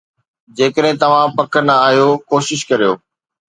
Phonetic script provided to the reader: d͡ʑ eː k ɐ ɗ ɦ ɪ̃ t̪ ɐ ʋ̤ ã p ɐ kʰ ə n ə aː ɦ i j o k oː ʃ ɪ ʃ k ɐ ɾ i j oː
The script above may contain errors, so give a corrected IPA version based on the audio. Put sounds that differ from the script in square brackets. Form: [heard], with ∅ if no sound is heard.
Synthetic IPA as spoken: d͡ʑ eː k [ə] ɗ ɦ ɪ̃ t̪ ɐ ʋ̤ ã p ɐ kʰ ə n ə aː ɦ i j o k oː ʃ ɪ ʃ k ɐ ɾ i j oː